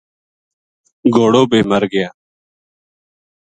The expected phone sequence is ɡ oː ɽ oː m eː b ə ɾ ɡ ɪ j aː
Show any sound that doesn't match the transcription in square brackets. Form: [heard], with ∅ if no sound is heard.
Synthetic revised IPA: ɡ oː ɽ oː [b] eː [m] ə ɾ ɡ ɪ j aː